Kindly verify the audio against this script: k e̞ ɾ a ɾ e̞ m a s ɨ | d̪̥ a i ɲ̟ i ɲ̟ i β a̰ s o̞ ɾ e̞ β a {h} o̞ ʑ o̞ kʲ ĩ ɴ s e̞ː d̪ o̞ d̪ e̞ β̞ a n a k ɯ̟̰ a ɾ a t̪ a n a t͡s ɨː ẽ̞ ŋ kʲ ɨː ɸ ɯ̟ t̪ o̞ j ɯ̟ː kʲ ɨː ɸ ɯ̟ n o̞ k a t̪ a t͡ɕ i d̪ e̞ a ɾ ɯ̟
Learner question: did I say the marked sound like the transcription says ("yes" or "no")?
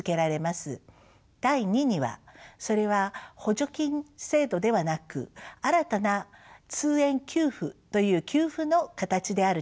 yes